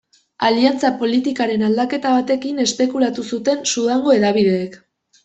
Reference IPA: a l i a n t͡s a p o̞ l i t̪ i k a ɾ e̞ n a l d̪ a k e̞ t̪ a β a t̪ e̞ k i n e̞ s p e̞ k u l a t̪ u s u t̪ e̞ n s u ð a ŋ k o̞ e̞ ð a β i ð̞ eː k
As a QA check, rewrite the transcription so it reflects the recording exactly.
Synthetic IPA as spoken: a l i a n t͡s a p o̞ l i t̪ i k a ɾ e̞ n a l d̪ a k e̞ t̪ a β a t̪ e̞ k i n e̞ s p e̞ k u l a t̪ u s u t̪ e̞ n s u ð a ŋ ɡ o̞ e̞ ð a β i ð̞ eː k